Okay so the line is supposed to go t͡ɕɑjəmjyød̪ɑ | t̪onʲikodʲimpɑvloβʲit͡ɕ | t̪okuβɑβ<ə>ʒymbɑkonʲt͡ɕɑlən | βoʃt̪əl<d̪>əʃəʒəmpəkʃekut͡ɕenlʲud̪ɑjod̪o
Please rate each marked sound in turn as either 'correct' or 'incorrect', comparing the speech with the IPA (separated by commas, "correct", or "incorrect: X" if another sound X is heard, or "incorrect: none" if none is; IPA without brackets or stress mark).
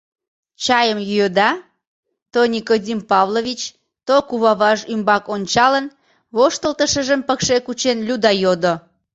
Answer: incorrect: ɑ, incorrect: t̪